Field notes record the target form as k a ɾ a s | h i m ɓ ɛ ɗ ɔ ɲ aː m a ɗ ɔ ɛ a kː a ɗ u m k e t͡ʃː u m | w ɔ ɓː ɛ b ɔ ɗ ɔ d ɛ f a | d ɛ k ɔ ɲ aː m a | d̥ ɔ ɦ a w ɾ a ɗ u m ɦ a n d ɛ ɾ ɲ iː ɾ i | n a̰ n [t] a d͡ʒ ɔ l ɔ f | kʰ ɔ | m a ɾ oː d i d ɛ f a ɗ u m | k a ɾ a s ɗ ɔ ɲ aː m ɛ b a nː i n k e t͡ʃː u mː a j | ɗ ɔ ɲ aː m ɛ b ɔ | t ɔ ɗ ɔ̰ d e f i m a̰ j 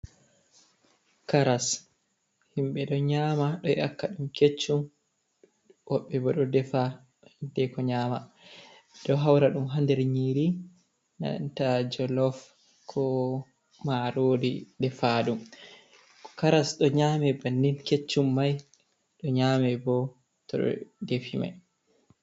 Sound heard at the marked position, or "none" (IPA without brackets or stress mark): t